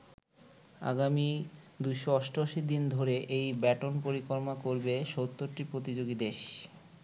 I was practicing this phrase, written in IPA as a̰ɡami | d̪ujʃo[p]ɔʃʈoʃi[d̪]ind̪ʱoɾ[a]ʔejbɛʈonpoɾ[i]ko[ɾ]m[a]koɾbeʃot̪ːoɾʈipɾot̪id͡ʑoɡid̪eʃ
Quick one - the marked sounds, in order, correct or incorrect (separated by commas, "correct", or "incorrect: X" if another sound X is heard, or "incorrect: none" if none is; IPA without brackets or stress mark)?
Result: incorrect: none, correct, incorrect: e, correct, correct, correct